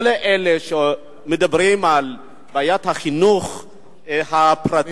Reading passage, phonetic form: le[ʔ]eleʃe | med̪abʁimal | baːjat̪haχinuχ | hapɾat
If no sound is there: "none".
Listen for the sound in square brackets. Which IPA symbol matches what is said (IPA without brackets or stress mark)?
ʔ